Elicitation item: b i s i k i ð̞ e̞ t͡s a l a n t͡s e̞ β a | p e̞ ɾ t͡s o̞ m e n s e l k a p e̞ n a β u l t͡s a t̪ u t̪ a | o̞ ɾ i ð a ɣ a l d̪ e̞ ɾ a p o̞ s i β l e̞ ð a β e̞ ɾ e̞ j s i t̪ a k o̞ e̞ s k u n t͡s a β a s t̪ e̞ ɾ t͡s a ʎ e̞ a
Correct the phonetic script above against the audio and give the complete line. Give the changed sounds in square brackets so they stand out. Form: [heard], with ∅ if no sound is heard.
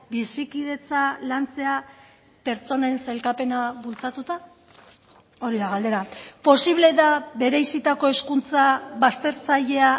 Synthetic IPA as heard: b i s i k i ð̞ e̞ t͡s a l a n t͡s e̞ [∅] a | p e̞ ɾ t͡s o̞ [n] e n s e l k a p e̞ n a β u l t͡s a t̪ u t̪ a | o̞ ɾ i ð a ɣ a l d̪ e̞ ɾ a p o̞ s i β l e̞ ð a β e̞ ɾ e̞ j s i t̪ a k o̞ e̞ s k u n t͡s a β a s t̪ e̞ ɾ t͡s a ʎ e̞ a